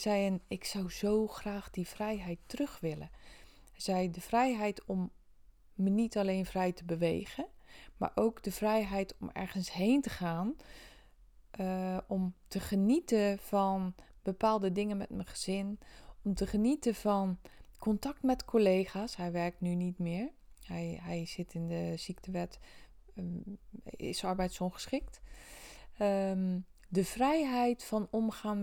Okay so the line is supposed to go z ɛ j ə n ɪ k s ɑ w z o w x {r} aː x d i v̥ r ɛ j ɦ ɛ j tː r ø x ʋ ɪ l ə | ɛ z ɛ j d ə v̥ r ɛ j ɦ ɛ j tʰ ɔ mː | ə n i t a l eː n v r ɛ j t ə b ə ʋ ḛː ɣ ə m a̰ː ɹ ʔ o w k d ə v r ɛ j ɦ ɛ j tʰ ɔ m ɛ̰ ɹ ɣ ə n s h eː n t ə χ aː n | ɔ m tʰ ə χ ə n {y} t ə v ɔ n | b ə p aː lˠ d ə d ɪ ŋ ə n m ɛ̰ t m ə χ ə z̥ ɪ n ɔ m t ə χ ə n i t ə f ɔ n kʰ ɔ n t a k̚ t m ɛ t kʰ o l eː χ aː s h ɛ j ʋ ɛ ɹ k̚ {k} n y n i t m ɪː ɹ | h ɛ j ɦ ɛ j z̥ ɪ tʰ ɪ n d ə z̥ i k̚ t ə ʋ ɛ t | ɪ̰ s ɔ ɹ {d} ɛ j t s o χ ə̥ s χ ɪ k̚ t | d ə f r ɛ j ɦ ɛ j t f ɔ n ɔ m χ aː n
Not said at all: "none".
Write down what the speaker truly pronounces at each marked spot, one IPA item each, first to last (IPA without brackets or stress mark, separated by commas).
r, i, t, b